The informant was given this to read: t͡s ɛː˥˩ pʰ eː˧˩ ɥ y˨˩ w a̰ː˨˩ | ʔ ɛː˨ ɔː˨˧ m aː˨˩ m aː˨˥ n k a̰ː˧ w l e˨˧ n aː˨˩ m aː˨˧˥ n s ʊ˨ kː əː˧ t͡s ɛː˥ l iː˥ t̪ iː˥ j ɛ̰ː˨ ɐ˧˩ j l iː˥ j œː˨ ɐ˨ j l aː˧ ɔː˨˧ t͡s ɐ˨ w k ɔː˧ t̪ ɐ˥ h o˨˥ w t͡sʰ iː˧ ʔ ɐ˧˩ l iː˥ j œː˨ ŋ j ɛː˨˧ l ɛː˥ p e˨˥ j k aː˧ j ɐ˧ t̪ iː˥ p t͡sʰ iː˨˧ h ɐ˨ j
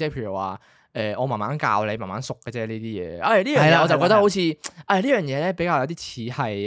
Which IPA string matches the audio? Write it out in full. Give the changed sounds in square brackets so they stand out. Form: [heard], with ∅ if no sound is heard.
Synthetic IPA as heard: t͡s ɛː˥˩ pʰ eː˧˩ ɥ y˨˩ w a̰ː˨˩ | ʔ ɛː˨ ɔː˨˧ m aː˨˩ m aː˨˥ n k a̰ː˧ w l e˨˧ [m] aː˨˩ m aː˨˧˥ n s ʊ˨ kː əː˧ t͡s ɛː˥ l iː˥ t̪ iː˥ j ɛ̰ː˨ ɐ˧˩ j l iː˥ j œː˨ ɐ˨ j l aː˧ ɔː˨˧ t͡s ɐ˨ w k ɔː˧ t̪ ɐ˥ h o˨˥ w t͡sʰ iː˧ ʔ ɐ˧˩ l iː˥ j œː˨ ŋ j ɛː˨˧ l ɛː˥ p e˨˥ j k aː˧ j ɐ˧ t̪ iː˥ [∅] t͡sʰ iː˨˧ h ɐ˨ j